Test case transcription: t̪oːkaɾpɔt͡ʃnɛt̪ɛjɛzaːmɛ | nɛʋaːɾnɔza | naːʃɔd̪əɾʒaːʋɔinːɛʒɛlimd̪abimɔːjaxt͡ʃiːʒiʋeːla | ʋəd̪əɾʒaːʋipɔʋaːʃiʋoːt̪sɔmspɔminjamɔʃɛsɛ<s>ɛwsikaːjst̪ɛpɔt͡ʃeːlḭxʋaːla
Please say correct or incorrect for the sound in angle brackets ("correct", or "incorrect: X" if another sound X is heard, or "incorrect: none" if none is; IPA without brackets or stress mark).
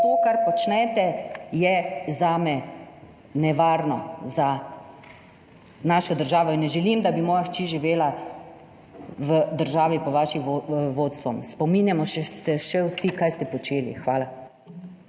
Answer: incorrect: ʃ